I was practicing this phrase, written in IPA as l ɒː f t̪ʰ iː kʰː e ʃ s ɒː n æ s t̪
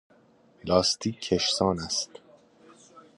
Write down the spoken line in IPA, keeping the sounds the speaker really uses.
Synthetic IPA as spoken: l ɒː s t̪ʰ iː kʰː e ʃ s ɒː n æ s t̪